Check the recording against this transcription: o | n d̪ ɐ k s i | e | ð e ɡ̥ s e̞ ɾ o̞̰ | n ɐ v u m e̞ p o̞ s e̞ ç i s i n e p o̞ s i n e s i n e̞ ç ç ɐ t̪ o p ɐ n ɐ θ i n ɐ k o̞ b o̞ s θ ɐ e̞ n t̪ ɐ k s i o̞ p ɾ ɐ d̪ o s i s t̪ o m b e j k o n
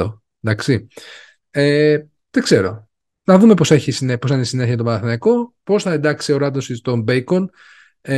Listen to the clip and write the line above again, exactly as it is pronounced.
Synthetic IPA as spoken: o | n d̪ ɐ k s i | e | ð e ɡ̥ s e̞ ɾ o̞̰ | n ɐ ð u m e̞ p o̞ s e̞ ç i s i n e p o̞ s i n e s i n e̞ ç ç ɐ t̪ o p ɐ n ɐ θ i n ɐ k o̞ p o̞ s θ ɐ e̞ n d̪ ɐ k s i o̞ ɾ ɐ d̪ o s i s t̪ o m b e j k o n